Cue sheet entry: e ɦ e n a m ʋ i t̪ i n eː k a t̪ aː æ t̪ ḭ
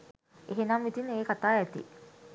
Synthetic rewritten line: e ɦ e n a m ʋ i t̪ i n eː k a t̪ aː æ t̪ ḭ

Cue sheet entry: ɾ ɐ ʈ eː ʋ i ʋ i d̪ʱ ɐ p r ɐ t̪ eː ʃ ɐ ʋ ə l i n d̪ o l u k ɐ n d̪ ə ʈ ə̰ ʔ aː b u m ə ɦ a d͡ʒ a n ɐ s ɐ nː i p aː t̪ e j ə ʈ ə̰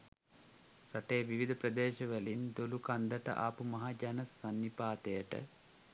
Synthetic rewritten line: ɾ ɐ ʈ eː ʋ i ʋ i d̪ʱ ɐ p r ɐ d̪ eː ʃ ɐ ʋ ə l i n d̪ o l u k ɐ n d̪ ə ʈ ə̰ ʔ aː p u m ɐ ɦ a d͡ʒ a n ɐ s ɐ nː i p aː t̪ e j ə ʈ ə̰

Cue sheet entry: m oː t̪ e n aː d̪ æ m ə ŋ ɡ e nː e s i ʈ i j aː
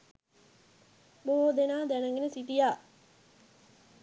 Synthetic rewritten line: b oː d̪ e n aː d̪ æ n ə ŋ ɡ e n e s i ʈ i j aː

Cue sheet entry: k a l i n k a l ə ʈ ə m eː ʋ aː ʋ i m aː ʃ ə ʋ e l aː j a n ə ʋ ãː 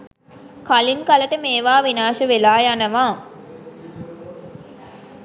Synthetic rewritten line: k a l i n k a l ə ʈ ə m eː ʋ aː ʋ i n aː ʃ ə ʋ e l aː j a n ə ʋ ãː

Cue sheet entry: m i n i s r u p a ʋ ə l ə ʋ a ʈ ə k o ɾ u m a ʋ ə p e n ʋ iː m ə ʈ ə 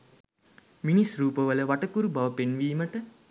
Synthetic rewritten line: m i n i s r uː p ə ʋ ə l ə ʋ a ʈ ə k u ɾ u b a ʋ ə p e n ʋ iː m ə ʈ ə

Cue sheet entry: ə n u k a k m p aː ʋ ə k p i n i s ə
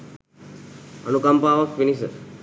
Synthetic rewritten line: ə n u k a m p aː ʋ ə k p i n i s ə

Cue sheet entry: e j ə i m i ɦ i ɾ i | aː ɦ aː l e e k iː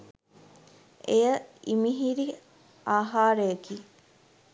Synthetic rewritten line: e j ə i m i ɦ i ɾ i | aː ɦ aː ɾ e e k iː

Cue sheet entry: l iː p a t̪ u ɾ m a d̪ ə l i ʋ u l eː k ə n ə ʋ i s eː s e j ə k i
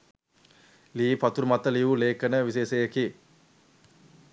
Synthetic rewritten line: l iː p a t̪ u ɾ m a t̪ ə l i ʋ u l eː k ə n ə ʋ i s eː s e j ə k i

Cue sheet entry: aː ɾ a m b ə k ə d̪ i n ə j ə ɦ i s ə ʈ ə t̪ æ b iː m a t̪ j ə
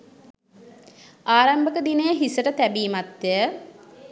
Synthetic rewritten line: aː ɾ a m b ə k ə d̪ i n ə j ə ɦ i s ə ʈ ə t̪ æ b iː m a t̪ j ə

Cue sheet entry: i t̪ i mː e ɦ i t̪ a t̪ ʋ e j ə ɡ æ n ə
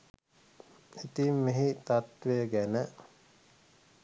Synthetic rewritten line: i t̪ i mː e ɦ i t̪ a t̪ ʋ e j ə ɡ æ n ə

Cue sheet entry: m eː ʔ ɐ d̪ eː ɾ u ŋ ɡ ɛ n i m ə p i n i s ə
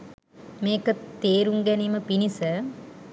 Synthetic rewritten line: m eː k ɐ t̪ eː ɾ u ŋ ɡ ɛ n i m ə p i n i s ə

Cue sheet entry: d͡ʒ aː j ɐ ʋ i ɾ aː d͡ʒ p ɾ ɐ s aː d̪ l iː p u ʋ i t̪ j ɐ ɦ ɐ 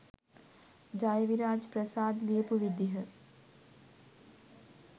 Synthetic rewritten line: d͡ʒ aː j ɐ ʋ i ɾ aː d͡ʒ p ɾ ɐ s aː d̪ l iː p u ʋ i d̪ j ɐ ɦ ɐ

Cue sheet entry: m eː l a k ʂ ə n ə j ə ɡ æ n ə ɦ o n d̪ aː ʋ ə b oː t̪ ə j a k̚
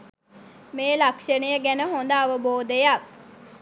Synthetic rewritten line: m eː l a k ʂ ə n ə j ə ɡ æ n ə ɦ o n d̪ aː ʋ ə b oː d̪ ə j a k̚

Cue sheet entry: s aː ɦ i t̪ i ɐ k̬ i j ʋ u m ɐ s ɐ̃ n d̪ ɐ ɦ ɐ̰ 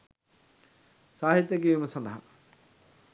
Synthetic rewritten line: s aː ɦ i t̪ j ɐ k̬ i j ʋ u m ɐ s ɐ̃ n d̪ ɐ ɦ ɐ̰

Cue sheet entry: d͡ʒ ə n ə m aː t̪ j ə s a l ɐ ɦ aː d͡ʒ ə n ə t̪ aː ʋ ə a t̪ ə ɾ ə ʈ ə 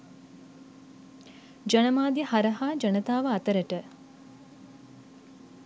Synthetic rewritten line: d͡ʒ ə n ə m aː d̪ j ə h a ɾ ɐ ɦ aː d͡ʒ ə n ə t̪ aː ʋ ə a t̪ ə ɾ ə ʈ ə

